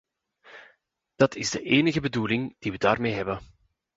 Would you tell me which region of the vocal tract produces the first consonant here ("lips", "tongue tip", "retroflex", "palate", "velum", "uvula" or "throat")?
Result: tongue tip